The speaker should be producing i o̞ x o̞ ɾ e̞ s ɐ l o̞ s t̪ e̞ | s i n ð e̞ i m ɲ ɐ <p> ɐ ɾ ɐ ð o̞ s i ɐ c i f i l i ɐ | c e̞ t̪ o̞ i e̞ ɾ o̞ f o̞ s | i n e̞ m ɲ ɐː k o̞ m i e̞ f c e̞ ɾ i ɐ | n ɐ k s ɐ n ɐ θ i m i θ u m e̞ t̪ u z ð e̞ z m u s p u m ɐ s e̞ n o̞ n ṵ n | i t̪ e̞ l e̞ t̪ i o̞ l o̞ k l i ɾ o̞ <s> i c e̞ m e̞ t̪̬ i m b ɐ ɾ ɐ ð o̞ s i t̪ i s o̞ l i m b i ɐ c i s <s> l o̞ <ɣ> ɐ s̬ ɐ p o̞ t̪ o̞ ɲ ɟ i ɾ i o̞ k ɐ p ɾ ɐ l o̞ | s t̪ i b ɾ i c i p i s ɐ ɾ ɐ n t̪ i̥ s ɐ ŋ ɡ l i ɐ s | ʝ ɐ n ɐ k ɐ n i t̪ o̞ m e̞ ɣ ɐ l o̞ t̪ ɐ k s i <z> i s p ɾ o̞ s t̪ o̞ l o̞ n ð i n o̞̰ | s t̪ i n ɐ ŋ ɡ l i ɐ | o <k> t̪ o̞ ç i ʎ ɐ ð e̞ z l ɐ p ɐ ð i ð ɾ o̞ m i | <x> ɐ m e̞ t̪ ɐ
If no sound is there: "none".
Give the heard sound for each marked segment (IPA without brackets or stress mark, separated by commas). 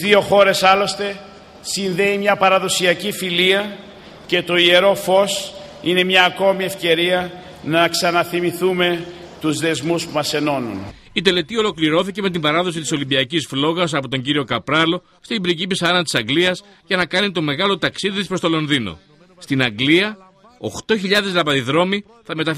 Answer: p, θ, f, ɣ, ð, x, θ